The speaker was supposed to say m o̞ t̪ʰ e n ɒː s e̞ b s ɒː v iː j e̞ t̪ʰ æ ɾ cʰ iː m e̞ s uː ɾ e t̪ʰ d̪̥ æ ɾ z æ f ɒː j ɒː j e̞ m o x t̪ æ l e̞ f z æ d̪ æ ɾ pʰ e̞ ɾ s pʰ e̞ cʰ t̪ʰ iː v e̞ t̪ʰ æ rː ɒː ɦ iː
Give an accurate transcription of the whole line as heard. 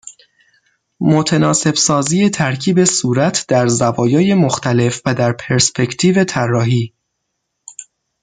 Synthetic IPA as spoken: m o̞ t̪ʰ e n ɒː s e̞ b s ɒː z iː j e̞ t̪ʰ æ ɾ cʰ iː b e̞ s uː ɾ æ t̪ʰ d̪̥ æ ɾ z æ v ɒː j ɒː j e̞ m o x t̪ æ l e̞ f v æ d̪ æ ɾ pʰ e̞ ɾ s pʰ e̞ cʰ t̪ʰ iː v e̞ t̪ʰ æ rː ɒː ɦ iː